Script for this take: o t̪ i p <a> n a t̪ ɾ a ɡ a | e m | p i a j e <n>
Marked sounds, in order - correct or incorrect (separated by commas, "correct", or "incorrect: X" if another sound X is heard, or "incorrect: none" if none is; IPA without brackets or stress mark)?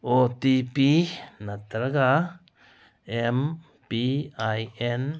incorrect: i, correct